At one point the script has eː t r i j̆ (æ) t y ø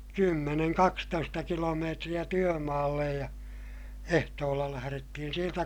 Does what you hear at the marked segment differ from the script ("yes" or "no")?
no